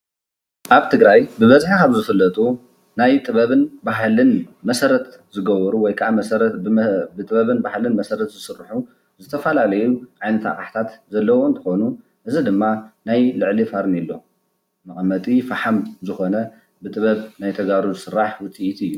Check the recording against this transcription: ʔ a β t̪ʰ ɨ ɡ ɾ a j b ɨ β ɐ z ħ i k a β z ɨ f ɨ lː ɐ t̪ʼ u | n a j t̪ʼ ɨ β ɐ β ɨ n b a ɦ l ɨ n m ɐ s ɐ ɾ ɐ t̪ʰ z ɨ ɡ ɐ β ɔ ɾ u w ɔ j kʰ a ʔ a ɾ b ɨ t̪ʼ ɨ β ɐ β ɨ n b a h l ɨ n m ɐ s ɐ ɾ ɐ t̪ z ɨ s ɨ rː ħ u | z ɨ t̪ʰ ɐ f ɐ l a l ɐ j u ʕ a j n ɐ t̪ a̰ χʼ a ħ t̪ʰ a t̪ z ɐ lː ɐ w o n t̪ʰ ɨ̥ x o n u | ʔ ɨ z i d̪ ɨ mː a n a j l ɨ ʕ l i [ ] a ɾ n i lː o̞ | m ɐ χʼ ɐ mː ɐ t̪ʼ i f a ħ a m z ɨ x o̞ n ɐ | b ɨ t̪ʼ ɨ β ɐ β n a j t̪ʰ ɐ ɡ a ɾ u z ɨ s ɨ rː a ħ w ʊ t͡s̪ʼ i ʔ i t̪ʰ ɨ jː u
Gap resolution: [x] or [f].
f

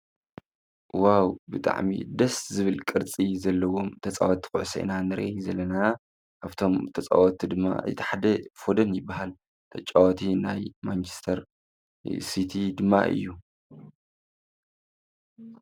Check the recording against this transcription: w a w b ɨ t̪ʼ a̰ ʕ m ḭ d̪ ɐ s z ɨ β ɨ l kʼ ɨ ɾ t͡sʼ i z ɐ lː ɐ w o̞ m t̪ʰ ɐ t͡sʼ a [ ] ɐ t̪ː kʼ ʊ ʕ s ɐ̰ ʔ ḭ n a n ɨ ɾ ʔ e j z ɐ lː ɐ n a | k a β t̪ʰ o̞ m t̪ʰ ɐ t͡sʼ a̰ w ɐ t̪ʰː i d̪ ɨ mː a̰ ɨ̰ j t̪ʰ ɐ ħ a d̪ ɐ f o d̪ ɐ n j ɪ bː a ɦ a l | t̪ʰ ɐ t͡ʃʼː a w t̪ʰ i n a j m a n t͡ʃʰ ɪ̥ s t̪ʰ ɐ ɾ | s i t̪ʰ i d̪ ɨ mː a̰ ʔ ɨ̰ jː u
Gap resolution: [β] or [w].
w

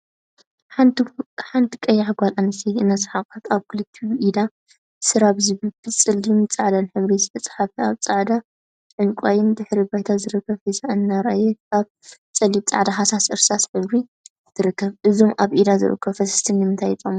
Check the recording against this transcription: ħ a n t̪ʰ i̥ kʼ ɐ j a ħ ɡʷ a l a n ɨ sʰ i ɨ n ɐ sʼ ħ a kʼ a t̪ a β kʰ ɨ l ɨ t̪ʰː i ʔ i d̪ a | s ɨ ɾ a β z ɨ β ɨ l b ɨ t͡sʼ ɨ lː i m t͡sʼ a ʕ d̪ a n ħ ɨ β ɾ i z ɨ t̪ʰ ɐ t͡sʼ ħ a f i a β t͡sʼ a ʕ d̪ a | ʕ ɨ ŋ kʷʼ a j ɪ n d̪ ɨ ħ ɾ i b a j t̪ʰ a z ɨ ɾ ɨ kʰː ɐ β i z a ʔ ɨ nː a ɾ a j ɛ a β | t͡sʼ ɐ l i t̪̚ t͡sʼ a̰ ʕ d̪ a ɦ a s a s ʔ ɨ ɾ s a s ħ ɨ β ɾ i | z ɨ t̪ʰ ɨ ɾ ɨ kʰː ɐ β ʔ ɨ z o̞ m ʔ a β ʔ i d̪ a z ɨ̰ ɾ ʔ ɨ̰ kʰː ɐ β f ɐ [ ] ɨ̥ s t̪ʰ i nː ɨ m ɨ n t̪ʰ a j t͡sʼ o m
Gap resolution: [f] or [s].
s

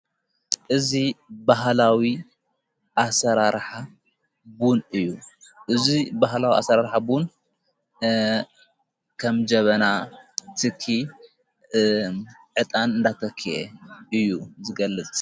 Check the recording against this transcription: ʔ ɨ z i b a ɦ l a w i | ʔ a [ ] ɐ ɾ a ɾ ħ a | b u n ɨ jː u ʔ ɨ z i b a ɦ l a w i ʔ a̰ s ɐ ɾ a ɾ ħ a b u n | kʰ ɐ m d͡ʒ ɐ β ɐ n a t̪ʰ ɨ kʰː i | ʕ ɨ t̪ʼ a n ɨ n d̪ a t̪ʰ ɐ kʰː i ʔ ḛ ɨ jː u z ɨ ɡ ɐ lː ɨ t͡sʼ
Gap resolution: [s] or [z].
s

